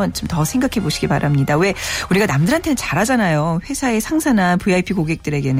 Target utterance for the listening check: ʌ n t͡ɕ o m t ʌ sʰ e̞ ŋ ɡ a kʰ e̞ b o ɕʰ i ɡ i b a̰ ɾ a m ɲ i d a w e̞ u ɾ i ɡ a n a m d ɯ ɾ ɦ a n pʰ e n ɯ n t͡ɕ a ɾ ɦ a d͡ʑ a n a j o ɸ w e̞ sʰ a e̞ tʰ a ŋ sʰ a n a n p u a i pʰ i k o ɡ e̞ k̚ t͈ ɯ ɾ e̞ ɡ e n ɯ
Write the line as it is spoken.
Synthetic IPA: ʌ n t͡ɕ o m t ʌ sʰ e̞ ŋ ɡ a kʰ e̞ b o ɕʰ i ɡ i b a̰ ɾ a m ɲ i d a w e̞ u ɾ i ɡ a n a m d ɯ ɾ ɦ a n tʰ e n ɯ n t͡ɕ a ɾ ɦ a d͡ʑ a n a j o ɸ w e̞ sʰ a e̞ sʰ a ŋ sʰ a n a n p u a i pʰ i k o ɡ e̞ k̚ t͈ ɯ ɾ e̞ ɡ e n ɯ